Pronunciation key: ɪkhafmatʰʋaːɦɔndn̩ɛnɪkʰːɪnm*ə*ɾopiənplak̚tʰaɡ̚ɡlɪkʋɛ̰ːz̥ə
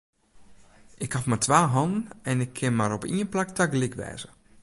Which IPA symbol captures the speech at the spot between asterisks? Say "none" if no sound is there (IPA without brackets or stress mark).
a